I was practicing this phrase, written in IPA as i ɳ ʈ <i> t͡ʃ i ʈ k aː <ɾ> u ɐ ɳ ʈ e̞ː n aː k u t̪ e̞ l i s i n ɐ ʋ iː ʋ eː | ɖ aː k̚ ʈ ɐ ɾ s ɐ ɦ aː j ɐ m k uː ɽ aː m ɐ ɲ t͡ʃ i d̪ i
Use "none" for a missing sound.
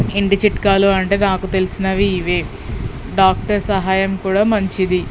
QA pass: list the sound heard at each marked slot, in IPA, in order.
i, l

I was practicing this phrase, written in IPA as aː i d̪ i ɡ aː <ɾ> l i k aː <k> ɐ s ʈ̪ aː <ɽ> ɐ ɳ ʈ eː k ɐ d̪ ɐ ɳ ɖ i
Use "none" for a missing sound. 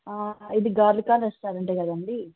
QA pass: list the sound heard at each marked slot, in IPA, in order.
ɾ, none, ɾ

